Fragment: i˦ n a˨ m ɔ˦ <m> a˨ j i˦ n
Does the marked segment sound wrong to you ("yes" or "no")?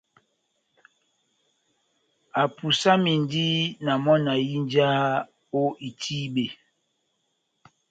yes